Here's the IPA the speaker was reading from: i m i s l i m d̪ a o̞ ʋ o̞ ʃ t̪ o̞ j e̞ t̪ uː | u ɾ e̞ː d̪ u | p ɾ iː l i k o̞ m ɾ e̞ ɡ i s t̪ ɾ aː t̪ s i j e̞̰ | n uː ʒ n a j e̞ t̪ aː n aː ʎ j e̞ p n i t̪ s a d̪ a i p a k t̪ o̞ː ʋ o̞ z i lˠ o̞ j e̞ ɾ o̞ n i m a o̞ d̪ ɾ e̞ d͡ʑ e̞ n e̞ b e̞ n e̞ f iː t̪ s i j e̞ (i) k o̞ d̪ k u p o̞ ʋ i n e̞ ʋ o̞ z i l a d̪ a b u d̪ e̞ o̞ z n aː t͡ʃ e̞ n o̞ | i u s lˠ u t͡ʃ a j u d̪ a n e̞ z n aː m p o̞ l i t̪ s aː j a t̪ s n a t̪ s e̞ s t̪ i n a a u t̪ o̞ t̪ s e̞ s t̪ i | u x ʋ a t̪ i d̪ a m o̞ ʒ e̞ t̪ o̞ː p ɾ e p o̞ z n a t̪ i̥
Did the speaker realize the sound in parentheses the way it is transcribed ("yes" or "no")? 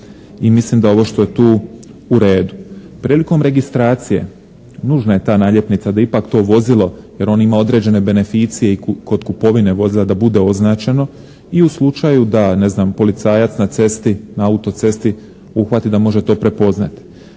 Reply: yes